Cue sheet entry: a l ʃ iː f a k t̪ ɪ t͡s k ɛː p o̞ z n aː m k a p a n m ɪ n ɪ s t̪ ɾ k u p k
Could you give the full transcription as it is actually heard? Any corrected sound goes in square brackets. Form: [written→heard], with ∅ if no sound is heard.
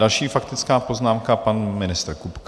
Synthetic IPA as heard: a l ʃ iː f a k t̪ ɪ t͡s k [ɛː→aː] p o̞ z n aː m k a p a n m ɪ n ɪ s t̪ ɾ k u p k